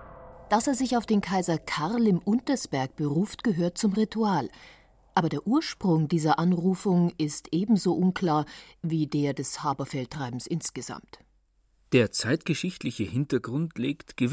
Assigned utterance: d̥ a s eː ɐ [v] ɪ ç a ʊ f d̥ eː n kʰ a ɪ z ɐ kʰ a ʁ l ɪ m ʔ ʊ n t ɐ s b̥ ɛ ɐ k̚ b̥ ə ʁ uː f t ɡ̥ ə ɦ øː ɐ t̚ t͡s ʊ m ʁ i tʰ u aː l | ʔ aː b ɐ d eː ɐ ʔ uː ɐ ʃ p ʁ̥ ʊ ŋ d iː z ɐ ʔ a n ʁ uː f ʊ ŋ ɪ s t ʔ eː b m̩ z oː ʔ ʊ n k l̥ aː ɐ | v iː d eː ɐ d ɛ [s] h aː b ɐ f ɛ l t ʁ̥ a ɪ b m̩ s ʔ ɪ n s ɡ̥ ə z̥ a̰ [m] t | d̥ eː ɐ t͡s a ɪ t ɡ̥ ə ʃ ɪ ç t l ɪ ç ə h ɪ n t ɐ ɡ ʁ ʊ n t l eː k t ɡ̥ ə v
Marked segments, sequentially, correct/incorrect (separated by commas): incorrect, correct, correct